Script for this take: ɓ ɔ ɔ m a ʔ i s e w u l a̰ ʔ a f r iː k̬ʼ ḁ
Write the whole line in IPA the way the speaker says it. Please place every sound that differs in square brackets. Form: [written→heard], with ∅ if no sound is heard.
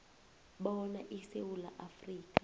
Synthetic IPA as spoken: ɓ ɔ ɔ [m→n] a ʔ i s e w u l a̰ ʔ a f r iː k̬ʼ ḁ